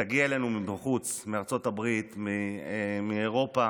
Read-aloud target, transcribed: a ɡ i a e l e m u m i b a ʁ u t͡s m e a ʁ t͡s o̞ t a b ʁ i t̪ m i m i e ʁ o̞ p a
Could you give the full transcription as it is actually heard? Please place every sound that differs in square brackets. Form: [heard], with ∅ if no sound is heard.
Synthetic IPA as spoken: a ɡ i a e l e [n] u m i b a [χ] u t͡s m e a ʁ t͡s o̞ t a b ʁ i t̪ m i m i e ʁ o̞ p a